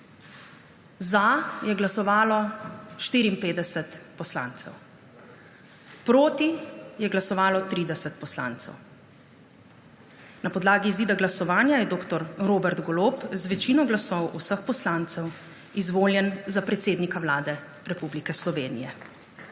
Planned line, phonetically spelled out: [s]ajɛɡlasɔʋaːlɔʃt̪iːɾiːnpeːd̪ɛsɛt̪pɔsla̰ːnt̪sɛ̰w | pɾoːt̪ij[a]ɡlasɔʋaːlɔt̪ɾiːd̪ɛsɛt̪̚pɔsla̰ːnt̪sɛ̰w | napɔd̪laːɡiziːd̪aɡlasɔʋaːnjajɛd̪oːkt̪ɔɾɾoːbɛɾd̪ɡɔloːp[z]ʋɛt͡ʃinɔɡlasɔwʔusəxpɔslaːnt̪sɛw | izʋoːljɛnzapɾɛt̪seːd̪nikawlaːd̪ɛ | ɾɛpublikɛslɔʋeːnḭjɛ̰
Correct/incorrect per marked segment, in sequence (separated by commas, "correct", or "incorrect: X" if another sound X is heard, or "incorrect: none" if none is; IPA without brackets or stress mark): incorrect: z, incorrect: ɛ, correct